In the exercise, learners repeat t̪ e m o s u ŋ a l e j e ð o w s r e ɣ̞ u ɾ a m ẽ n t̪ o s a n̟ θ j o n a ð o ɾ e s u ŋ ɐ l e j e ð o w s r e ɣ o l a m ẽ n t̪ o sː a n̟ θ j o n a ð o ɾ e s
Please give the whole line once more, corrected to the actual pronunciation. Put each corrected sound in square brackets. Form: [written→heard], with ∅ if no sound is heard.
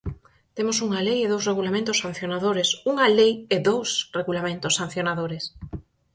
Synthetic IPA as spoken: t̪ e m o s u ŋ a l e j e ð o w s r e ɣ̞ u [ɾ→l] a m ẽ n t̪ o s a n̟ θ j o n a ð o ɾ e s u ŋ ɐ l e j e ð o w s r e ɣ [o→u] l a m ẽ n t̪ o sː a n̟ θ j o n a ð o ɾ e s